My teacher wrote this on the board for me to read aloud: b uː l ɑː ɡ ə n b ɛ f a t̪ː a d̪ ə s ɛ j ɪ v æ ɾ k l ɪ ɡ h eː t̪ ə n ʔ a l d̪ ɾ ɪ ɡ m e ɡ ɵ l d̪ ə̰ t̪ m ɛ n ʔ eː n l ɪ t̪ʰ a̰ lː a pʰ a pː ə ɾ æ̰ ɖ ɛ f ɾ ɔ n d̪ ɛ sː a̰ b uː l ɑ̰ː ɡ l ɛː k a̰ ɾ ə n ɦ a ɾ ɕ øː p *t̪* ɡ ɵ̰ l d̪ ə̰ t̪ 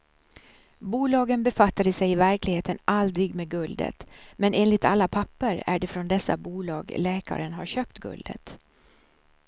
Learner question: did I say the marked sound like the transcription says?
yes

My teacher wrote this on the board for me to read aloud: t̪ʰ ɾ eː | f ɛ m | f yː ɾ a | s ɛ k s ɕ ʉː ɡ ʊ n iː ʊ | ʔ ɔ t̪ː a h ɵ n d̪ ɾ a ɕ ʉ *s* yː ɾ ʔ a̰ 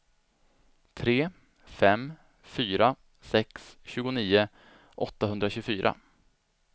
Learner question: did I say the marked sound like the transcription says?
no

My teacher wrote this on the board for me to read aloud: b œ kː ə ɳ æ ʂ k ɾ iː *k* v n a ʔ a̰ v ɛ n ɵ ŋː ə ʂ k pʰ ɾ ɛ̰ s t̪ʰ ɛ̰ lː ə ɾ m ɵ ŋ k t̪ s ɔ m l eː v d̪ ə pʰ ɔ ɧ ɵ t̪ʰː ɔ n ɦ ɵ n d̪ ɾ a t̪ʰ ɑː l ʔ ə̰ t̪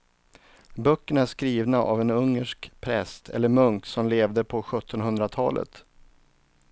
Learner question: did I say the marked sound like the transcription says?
no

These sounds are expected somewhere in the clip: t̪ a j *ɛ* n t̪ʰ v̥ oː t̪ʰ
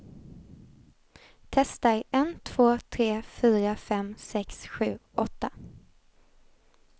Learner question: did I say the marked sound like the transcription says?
yes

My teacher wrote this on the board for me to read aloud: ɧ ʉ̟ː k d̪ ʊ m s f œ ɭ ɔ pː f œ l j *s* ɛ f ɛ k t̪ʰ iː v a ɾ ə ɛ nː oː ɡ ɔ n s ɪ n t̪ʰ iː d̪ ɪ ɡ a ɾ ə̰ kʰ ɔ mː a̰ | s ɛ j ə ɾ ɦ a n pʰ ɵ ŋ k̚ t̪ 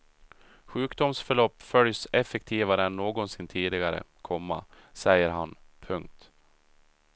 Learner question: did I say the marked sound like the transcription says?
yes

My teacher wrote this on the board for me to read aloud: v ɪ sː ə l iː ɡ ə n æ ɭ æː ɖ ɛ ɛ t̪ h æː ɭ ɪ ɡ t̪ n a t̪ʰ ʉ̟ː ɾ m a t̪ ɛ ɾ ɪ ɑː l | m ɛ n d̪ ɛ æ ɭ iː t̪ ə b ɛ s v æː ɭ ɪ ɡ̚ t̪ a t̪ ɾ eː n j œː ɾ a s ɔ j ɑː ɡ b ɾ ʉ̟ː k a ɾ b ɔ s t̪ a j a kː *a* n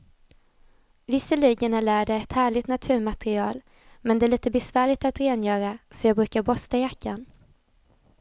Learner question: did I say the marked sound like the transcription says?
yes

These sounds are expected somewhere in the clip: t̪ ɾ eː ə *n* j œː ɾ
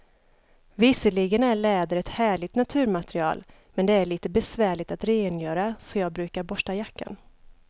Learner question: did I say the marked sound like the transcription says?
yes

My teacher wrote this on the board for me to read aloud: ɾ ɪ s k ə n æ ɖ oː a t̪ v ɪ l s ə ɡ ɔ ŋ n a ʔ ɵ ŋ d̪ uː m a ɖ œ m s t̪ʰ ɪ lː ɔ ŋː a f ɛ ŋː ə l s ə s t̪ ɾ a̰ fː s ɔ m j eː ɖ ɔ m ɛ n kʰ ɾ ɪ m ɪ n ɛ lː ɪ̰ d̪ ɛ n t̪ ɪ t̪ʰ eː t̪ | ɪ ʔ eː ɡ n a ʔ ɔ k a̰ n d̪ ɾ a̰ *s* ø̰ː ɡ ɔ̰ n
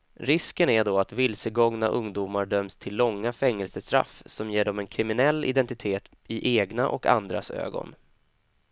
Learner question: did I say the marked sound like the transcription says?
yes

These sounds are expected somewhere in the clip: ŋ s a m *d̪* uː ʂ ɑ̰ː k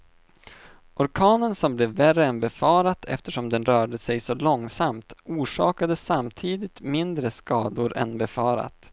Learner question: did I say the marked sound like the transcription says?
no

